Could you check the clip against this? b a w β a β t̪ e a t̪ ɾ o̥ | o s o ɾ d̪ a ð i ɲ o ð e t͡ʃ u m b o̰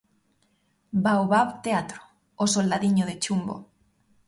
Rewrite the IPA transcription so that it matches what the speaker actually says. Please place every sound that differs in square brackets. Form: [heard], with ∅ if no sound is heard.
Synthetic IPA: b a w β a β t̪ e a t̪ ɾ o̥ | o s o [l] d̪ a ð i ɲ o ð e t͡ʃ u m b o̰